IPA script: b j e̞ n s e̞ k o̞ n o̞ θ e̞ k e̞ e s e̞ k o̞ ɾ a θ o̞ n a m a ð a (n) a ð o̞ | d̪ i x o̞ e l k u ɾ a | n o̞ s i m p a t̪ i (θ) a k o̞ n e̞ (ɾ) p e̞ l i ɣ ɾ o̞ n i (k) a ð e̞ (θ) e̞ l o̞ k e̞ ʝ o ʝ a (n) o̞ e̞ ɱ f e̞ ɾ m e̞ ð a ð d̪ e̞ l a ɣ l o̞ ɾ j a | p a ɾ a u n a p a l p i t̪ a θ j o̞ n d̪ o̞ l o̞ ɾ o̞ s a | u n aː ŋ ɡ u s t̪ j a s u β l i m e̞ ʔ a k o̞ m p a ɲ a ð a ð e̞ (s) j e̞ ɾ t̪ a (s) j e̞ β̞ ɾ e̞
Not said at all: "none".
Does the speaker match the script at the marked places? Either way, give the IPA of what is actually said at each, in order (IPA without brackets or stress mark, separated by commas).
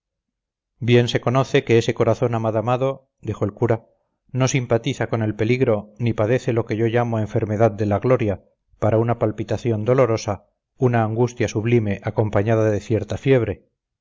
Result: m, θ, l, p, θ, m, θ, f